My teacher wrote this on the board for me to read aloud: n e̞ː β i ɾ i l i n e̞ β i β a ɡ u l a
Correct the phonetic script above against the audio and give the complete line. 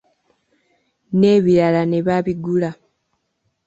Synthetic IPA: n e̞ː β i ɾ a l a n e̞ β a β i ɡ u l a